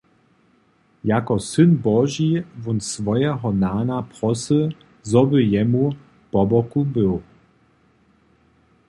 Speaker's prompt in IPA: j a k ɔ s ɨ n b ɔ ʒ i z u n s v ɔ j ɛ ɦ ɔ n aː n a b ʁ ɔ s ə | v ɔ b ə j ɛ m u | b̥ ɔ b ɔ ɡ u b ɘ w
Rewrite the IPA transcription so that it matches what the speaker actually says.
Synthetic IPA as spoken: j a k ɔ s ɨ n b ɔ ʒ i v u n s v ɔ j ɛ ɦ ɔ n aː n a p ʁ ɔ s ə | z ɔ b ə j ɛ m u | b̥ ɔ b ɔ k u b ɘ w